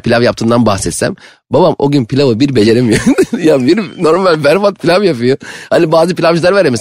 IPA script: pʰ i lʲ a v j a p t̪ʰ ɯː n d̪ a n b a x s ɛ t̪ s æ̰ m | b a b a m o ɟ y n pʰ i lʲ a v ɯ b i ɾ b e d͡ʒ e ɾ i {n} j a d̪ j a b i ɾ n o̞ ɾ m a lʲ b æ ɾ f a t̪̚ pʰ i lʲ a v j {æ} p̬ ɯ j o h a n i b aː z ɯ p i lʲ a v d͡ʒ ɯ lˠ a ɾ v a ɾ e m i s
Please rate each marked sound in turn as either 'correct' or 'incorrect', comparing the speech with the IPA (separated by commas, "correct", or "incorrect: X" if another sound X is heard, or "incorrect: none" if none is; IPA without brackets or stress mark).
incorrect: m, incorrect: a